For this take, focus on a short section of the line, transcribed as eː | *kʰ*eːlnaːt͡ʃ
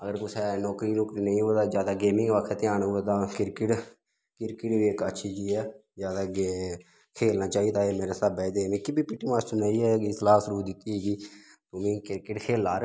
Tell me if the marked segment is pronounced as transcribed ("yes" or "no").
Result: yes